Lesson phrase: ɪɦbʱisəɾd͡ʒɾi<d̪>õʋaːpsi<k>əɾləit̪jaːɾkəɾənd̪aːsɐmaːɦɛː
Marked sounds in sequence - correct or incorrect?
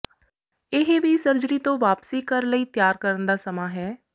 incorrect, correct

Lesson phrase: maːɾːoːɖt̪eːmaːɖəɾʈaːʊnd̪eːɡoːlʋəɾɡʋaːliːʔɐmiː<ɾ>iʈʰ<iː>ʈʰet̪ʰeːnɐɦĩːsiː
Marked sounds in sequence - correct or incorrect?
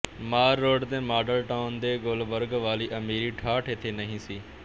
correct, incorrect

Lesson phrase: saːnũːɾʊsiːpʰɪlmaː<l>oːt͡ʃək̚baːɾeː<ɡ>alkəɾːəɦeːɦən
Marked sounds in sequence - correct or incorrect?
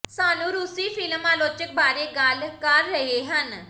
correct, correct

